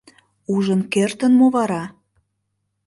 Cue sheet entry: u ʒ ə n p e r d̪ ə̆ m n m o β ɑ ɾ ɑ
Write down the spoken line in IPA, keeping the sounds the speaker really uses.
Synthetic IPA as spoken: u ʒ ə n k e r t̪ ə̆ n m o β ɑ ɾ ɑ